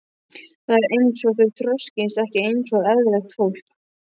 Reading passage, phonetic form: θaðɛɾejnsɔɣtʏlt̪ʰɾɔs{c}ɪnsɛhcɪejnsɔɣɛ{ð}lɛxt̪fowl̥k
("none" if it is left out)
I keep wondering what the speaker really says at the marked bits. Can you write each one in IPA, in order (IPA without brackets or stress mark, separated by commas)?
c, ð